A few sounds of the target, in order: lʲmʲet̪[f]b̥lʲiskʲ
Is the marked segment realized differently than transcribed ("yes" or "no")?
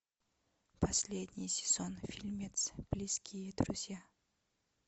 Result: yes